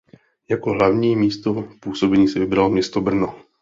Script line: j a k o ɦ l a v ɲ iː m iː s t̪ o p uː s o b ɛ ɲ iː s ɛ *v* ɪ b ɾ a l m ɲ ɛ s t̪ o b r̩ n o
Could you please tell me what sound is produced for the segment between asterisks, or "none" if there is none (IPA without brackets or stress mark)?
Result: v